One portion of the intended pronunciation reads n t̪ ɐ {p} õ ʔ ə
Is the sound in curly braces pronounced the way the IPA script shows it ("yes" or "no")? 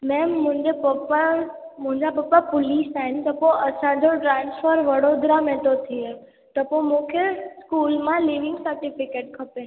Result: yes